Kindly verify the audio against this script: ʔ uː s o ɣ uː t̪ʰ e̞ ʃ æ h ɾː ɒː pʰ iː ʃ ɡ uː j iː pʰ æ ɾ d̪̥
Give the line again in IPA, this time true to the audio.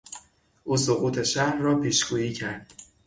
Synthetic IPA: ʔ uː s o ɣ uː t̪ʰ e̞ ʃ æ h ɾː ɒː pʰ iː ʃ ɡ uː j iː cʰ æ ɾ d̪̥